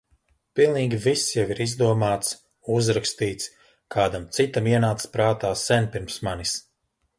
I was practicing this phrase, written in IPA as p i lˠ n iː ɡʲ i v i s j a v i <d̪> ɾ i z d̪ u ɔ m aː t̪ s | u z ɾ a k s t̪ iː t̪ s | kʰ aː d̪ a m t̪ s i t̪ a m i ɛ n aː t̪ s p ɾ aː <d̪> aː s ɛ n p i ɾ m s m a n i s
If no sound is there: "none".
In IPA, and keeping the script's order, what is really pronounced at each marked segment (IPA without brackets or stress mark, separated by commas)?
none, t̪